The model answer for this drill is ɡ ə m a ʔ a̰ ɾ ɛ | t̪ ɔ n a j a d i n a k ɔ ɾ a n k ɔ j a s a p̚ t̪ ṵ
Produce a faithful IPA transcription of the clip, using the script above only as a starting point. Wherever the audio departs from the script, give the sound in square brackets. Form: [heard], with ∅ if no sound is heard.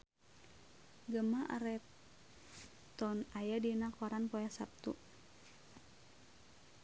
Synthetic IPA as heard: ɡ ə m a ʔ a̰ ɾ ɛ | t̪ ɔ n a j a d i n a k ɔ ɾ a n [p] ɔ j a s a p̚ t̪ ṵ